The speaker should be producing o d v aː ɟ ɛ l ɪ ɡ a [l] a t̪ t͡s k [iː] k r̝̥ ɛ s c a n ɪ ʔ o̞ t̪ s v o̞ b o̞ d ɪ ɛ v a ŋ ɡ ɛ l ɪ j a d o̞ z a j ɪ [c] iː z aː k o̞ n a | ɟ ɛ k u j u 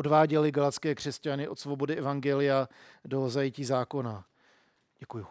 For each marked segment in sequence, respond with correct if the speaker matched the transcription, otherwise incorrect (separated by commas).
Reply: correct, incorrect, correct